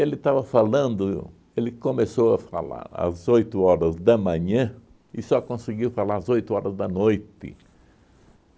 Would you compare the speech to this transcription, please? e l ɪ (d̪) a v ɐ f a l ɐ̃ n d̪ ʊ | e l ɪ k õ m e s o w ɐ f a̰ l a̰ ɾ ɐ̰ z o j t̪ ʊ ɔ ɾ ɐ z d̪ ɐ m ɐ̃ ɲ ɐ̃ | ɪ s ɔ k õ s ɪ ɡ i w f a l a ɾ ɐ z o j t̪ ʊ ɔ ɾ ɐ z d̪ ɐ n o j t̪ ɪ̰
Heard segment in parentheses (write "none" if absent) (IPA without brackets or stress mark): t̪